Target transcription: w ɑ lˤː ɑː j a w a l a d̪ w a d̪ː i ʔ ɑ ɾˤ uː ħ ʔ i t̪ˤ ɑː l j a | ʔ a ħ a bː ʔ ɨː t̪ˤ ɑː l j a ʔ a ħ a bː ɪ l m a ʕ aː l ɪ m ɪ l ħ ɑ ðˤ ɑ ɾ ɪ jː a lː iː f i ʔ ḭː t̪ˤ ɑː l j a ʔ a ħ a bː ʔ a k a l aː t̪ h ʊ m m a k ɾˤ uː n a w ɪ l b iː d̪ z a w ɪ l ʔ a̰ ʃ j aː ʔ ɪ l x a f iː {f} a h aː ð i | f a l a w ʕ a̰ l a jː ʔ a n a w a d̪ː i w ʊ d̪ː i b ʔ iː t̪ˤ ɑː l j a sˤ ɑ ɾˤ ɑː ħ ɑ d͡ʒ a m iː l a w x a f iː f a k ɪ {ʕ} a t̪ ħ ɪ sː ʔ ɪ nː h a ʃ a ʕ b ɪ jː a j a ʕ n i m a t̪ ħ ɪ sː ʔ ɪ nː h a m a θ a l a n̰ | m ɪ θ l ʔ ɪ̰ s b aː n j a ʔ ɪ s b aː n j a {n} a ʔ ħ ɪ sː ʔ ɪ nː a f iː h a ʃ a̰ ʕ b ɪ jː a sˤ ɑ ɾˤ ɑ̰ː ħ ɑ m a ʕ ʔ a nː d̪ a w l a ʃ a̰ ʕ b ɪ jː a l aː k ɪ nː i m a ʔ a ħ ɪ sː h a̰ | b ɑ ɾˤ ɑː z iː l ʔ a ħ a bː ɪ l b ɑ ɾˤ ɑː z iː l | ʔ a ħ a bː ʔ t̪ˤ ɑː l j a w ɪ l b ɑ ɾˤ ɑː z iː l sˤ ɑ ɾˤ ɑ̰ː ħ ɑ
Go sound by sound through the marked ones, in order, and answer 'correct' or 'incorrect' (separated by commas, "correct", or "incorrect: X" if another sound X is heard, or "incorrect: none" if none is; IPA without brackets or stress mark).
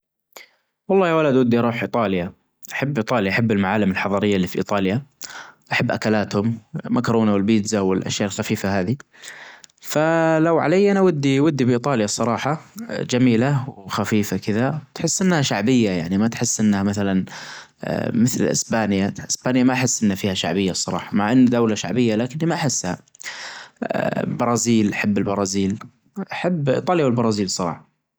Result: correct, incorrect: ð, incorrect: m